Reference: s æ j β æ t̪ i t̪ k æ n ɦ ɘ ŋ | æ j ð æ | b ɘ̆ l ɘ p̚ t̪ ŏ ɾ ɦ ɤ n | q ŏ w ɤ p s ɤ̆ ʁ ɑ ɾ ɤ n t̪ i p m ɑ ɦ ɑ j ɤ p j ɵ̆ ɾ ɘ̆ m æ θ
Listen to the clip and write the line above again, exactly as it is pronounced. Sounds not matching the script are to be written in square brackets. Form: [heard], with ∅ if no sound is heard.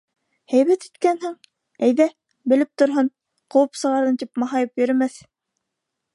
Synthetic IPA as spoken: [h] æ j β æ t̪ i t̪ k æ n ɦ ɘ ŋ | æ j ð æ | b ɘ̆ l ɘ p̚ t̪ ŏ ɾ ɦ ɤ n | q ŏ w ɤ p s ɤ̆ ʁ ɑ ɾ ɤ n t̪ i p m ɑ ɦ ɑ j ɤ p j ɵ̆ ɾ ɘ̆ m æ θ